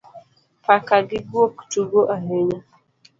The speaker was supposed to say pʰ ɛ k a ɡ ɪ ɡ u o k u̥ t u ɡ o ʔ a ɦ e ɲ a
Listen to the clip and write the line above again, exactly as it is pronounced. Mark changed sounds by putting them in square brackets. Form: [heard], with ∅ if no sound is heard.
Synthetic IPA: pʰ [a] k a ɡ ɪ ɡ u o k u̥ t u ɡ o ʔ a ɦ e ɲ a